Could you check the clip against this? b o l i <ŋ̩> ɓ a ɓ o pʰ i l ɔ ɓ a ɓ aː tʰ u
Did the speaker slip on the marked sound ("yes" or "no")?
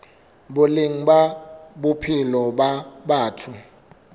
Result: no